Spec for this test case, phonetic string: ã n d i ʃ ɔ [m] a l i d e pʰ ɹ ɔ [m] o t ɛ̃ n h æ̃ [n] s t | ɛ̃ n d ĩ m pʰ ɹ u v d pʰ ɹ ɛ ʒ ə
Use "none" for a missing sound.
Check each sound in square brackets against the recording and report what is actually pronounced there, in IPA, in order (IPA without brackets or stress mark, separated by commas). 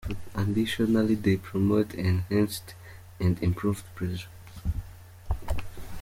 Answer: n, m, n